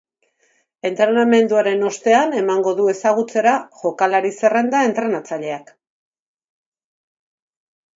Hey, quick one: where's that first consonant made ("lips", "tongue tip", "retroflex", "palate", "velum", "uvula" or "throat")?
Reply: tongue tip